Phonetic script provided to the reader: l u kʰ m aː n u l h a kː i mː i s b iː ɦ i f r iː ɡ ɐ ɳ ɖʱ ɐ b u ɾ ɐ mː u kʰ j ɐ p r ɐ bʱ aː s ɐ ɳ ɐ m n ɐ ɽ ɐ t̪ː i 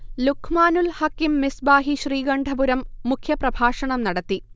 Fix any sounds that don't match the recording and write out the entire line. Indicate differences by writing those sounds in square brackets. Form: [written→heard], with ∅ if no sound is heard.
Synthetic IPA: l u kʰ m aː n u l h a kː i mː i s b [iː→aː] ɦ i [f→ɕ] r iː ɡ ɐ ɳ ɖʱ ɐ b u ɾ ɐ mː u kʰ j ɐ p r ɐ bʱ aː [s→ʂ] ɐ ɳ ɐ m n ɐ ɽ ɐ t̪ː i